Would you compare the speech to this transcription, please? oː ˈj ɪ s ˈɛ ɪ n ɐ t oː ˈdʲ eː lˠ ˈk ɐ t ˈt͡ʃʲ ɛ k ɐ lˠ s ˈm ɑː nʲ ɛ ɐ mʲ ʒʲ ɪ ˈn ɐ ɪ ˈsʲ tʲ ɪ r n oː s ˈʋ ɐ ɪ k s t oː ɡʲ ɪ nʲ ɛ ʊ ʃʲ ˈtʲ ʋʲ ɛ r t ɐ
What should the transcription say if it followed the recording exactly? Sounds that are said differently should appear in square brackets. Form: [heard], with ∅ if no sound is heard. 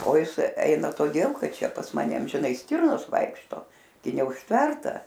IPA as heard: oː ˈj ɪ s ˈɛ ɪ n ɐ t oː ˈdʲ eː lˠ ˈk ɐ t ˈt͡ʃʲ ɛ [p] ɐ [∅] s ˈm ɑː nʲ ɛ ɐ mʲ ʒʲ ɪ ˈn ɐ ɪ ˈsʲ tʲ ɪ r n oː s ˈʋ ɐ ɪ k [ʃ] t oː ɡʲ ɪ nʲ ɛ ʊ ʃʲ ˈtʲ ʋʲ ɛ r t ɐ